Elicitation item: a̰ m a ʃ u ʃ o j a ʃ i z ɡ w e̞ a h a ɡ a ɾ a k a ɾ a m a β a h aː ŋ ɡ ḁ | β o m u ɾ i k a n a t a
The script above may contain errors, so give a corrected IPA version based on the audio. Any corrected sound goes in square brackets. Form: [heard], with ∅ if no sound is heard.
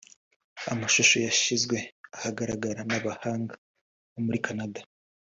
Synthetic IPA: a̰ m a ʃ u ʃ o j a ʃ i z ɡ w e̞ a h a ɡ a ɾ a [ɡ] a ɾ a [n] a β a h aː ŋ ɡ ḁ | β o m u ɾ i k a n a [d] a